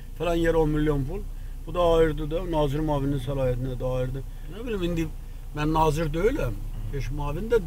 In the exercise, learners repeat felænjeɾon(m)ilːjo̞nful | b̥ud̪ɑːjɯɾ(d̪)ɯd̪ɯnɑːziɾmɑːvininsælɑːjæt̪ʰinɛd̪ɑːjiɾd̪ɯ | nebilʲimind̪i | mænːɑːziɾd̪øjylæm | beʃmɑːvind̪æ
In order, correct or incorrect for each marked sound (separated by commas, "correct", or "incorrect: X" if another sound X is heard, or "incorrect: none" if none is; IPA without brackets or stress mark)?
correct, correct